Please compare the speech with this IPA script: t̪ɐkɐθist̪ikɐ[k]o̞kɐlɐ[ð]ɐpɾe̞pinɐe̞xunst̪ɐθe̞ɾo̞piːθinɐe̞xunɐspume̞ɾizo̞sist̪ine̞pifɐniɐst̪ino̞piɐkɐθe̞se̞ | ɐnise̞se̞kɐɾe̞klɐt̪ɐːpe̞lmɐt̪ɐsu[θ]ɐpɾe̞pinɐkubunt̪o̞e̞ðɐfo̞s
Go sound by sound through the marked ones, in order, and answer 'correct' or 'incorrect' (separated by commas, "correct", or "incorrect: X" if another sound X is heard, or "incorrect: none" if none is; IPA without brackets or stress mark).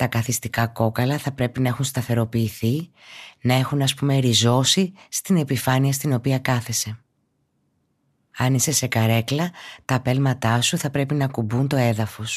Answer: correct, incorrect: θ, correct